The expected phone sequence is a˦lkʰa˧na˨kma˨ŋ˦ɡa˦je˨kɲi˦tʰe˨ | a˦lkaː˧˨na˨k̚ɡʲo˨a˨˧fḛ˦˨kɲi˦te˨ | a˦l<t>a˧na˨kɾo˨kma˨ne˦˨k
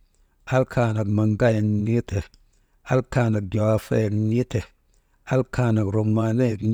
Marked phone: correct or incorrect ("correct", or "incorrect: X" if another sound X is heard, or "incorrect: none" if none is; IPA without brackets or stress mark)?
incorrect: k